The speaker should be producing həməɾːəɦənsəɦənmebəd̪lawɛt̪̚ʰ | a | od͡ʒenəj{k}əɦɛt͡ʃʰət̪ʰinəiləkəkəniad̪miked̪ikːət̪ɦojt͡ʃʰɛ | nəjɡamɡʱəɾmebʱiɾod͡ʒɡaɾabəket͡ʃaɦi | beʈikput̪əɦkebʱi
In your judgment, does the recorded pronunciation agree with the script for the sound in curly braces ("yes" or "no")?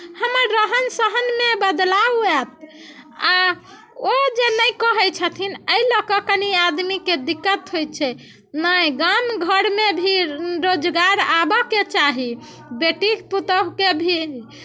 yes